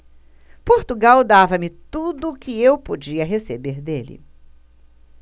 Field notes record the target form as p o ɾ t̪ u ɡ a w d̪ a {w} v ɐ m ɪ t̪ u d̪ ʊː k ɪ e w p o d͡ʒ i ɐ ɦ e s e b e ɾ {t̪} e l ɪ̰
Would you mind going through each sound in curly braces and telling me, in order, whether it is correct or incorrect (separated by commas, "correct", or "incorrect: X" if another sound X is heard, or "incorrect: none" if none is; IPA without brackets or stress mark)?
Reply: incorrect: none, incorrect: d̪